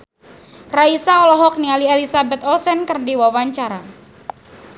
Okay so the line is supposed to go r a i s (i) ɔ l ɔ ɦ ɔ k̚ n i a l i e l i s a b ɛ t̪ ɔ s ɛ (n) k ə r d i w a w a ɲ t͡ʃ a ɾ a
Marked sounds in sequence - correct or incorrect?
incorrect: a, correct

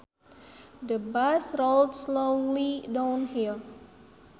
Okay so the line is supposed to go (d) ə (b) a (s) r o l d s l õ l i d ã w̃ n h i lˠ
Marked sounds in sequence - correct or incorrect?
correct, correct, correct

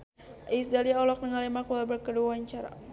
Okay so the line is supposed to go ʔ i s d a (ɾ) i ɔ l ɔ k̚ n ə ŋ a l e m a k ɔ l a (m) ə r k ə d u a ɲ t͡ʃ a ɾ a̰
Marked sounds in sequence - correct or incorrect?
incorrect: l, incorrect: b

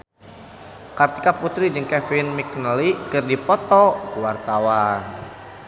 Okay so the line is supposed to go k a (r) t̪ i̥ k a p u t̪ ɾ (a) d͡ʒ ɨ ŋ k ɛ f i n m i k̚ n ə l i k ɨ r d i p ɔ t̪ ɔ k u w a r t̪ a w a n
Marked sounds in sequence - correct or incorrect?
correct, incorrect: i

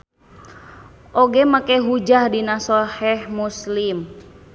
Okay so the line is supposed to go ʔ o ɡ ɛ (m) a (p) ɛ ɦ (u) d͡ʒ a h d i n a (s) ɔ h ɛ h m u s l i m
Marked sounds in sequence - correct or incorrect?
correct, incorrect: k, correct, correct

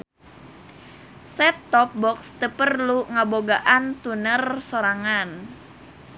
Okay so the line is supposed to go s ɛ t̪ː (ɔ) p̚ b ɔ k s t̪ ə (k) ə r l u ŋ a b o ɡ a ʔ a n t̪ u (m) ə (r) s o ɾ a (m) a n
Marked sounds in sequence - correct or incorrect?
correct, incorrect: p, incorrect: n, correct, incorrect: ŋ

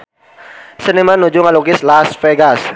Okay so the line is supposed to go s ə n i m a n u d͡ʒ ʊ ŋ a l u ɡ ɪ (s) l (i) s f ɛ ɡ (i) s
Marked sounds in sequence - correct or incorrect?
correct, incorrect: a, incorrect: a

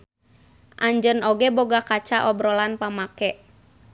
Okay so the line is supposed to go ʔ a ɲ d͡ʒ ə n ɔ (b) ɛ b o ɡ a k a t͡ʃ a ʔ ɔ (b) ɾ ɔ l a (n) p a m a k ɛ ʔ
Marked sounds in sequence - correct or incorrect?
incorrect: ɡ, correct, correct

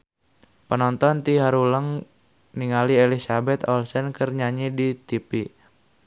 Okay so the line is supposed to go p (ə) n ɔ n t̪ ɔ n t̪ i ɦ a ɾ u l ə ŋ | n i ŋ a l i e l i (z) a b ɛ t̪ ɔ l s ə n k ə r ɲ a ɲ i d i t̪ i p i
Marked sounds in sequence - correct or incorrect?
correct, incorrect: s

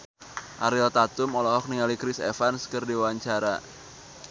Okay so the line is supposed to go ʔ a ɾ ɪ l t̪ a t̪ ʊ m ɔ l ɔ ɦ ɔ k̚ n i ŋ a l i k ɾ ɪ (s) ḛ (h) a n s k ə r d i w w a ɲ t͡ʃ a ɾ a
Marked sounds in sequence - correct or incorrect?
correct, incorrect: f

